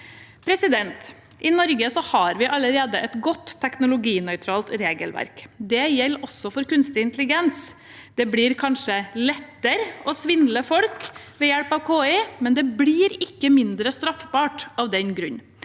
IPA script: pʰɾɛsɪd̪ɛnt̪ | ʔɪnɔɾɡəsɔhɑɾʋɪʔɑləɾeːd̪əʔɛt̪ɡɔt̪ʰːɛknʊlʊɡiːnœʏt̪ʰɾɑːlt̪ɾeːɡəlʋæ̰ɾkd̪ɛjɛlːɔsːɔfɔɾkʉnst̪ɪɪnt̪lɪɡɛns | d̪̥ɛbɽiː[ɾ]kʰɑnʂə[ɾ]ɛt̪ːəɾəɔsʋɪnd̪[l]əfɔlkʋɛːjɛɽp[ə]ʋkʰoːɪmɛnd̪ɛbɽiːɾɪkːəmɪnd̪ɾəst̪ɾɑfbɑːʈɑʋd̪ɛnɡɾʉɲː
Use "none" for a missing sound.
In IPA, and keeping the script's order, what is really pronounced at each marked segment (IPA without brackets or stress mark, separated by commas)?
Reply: ɾ, l, l, ɑ